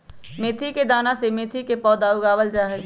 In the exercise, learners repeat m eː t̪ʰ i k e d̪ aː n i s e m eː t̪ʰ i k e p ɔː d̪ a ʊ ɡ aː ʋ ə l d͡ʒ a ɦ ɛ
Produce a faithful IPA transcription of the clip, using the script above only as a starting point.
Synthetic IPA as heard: m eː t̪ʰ i k e d̪ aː n a s e m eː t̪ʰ i k e p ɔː d̪ a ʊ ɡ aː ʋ ə l d͡ʒ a ɦ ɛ